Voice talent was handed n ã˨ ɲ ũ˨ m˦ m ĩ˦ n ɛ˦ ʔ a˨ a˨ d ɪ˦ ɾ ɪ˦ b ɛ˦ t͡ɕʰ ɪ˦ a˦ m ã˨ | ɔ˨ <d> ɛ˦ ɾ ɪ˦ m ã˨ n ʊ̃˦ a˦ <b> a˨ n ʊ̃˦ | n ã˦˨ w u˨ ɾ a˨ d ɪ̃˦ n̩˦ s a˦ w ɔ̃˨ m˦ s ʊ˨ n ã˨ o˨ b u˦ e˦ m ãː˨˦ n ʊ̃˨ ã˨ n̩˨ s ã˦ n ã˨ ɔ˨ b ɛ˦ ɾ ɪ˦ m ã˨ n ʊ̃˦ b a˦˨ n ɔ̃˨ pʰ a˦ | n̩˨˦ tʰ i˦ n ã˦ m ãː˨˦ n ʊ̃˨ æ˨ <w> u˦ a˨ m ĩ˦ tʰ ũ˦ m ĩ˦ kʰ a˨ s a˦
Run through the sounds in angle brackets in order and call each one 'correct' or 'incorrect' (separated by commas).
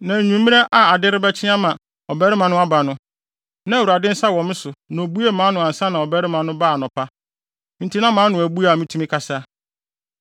incorrect, correct, incorrect